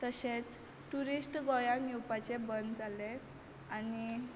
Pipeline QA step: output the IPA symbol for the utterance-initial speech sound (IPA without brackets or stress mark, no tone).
t̪